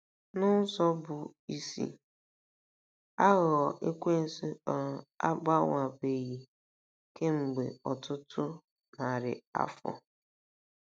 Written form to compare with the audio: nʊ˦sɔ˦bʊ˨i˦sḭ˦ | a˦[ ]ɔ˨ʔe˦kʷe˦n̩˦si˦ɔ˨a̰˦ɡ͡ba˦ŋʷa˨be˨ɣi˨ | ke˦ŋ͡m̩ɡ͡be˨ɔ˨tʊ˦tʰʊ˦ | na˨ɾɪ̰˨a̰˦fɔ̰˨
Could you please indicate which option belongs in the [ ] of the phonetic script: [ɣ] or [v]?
ɣ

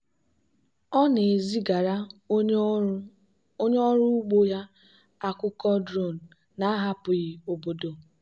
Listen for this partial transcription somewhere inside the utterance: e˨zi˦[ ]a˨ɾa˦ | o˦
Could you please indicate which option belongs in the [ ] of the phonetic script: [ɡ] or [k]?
ɡ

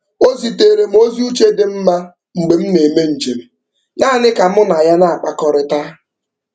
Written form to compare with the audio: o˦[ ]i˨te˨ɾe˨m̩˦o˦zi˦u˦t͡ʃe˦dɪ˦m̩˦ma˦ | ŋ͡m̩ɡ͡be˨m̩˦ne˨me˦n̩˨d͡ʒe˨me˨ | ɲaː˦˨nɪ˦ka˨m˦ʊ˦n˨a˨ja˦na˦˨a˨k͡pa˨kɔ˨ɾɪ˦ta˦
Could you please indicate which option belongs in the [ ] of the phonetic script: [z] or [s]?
z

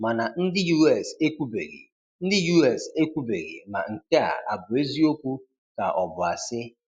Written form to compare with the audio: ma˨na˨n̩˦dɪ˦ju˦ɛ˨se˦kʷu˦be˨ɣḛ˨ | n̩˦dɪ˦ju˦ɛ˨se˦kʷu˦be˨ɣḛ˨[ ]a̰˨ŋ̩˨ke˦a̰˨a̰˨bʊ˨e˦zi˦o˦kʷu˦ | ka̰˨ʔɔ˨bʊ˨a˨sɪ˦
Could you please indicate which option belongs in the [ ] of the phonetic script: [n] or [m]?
m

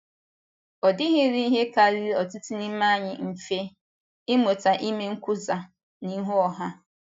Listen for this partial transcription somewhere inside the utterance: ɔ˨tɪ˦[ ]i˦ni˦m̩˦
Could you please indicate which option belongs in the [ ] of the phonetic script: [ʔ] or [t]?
t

